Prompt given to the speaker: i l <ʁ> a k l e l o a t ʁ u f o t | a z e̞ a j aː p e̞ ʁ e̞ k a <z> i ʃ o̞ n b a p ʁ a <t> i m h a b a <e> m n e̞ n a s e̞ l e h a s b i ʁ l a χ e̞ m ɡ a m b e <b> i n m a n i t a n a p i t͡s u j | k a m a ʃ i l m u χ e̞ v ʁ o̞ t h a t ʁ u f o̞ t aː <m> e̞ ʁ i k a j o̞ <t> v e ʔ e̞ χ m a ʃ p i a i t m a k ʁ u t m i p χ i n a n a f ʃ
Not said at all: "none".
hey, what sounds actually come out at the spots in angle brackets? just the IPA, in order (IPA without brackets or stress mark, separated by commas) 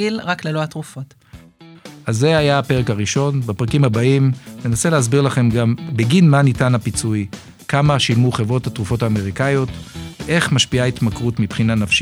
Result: ʁ, ʁ, k, i, ɡ, m, t